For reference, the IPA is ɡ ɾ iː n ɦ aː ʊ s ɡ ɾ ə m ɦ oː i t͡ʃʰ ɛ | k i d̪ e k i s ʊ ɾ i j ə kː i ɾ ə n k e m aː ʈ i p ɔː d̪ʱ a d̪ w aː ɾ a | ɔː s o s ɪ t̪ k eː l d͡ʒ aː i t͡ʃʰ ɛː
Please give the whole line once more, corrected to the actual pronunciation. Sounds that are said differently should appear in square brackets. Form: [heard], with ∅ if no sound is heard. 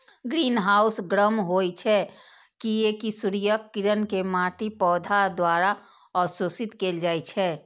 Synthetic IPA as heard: ɡ ɾ iː n ɦ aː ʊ s ɡ ɾ ə m ɦ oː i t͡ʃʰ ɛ | k i [∅] e k i s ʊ ɾ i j ə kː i ɾ ə n k e m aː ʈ i p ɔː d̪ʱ a d̪ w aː ɾ a | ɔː s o s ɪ t̪ k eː l d͡ʒ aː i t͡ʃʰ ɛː